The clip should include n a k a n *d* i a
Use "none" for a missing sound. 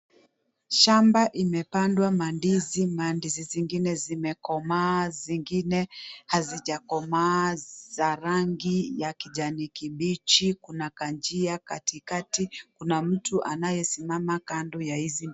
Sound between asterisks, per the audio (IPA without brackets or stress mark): d͡ʒ